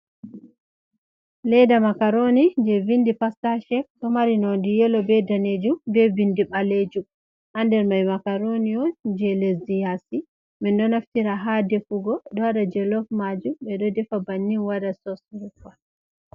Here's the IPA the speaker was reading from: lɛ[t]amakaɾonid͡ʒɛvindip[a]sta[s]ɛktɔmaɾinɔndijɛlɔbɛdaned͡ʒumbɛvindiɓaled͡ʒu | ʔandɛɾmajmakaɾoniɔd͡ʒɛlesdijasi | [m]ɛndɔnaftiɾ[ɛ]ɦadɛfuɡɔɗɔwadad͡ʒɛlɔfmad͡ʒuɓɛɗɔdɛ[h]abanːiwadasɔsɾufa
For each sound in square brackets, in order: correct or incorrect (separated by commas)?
incorrect, correct, incorrect, correct, incorrect, incorrect